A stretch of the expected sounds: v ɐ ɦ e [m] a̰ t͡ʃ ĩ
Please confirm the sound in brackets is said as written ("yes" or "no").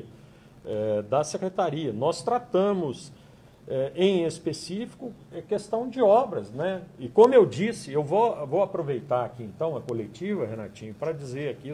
no